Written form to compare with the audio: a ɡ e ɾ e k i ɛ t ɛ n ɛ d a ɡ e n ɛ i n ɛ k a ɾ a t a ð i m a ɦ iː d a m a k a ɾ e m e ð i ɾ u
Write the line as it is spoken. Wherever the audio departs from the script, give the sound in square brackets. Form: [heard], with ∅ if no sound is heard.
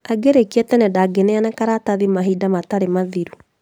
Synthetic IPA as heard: a ɡ e ɾ e k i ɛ t ɛ n ɛ d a ɡ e n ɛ [a] n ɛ k a ɾ a t a ð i m a ɦ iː d a m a [t] a ɾ e m [a] ð i ɾ u